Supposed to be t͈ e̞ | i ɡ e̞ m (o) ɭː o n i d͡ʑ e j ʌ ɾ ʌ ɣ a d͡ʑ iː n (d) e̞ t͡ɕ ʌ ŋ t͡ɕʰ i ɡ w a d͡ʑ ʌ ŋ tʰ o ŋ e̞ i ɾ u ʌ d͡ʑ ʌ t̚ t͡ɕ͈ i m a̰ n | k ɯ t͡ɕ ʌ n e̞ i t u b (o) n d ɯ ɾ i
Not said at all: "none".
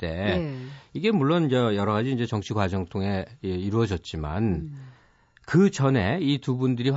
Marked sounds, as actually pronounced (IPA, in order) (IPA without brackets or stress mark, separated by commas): u, d͡ʑ, u